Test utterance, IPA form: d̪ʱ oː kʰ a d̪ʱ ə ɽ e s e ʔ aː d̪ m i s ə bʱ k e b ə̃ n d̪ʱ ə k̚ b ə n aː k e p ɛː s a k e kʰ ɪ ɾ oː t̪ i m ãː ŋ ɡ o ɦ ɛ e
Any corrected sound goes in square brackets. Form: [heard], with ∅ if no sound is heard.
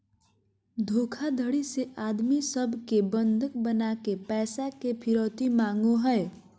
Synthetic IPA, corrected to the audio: d̪ʱ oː kʰ a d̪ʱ ə ɽ [i] s e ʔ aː d̪ m i s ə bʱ k e b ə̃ n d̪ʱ ə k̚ b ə n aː k e p ɛː s a k e [pʰ] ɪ ɾ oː t̪ i m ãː ŋ ɡ o ɦ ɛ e